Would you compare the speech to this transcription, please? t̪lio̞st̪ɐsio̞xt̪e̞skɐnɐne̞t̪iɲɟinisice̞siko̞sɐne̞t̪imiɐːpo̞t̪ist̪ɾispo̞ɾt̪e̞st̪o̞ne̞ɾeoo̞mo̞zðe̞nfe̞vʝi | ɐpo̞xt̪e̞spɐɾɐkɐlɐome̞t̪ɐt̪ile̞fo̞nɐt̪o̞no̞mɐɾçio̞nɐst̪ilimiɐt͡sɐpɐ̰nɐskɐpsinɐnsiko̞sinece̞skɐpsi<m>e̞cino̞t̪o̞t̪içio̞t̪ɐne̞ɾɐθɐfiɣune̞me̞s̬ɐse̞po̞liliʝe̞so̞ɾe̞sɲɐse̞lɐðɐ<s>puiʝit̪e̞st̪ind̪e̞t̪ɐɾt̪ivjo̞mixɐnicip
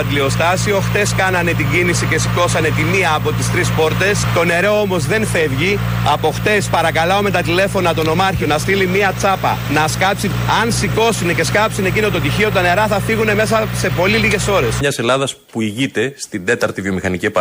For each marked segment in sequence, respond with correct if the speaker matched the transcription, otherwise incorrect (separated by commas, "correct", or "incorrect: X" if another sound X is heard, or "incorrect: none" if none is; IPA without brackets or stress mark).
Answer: incorrect: n, correct